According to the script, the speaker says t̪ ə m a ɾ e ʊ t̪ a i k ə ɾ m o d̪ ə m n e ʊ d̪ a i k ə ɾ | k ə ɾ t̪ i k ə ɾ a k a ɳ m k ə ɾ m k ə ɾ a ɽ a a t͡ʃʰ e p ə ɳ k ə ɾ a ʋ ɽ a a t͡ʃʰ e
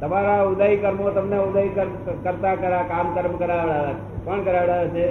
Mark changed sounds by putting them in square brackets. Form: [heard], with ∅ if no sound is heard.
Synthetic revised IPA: t̪ ə m a ɾ [a] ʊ [d̪] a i k ə ɾ m o [t̪] ə m n e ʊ d̪ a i k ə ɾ | k ə ɾ t̪ [a] k ə ɾ a k a [∅] m k ə ɾ m k ə ɾ a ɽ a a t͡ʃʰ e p ə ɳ k ə ɾ a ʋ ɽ a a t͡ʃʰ e